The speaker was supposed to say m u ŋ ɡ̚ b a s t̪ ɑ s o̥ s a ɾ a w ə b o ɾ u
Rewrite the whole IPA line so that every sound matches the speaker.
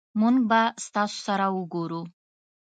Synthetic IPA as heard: m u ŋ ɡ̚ b a s t̪ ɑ s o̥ s a ɾ a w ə ɡ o ɾ u